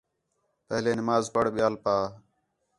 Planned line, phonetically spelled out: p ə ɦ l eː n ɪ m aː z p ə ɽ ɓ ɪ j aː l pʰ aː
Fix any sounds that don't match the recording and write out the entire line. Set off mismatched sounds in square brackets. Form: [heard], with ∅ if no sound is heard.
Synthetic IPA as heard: p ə ɦ l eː n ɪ m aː z p ə ɽ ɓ ɪ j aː l [p] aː